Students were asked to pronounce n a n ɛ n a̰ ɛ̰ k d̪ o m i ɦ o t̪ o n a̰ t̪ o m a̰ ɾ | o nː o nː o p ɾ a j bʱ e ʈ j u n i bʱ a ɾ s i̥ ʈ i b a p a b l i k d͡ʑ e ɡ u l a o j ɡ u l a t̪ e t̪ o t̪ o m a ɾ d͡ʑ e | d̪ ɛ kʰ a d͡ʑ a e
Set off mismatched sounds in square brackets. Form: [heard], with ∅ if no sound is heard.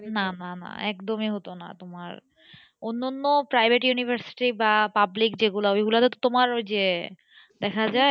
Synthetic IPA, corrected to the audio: n a n [a] n a̰ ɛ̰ k d̪ o m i ɦ o t̪ o n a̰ t̪ o m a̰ ɾ | o nː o nː o p ɾ a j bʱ e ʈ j u n i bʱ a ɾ s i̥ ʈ i b a p a b l i k d͡ʑ e ɡ u l a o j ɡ u l a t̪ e t̪ o t̪ o m a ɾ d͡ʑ e | d̪ ɛ kʰ a d͡ʑ a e